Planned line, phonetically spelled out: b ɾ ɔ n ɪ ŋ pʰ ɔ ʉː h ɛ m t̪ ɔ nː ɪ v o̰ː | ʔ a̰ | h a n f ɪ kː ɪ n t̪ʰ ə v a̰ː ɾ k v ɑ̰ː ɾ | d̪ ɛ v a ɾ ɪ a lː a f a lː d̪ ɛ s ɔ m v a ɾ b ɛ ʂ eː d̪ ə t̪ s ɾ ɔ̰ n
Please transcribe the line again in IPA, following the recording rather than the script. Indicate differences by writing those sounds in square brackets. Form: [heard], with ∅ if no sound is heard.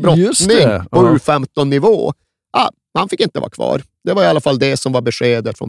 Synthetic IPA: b ɾ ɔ n ɪ ŋ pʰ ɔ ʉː [f] ɛ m t̪ ɔ nː ɪ v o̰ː | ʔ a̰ | h a n f ɪ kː ɪ n [t̪] ə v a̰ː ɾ [kʰ] v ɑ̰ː ɾ | d̪ ɛ v a ɾ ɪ a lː a f a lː d̪ ɛ s ɔ m v a ɾ b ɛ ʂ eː d̪ ə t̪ [f] ɾ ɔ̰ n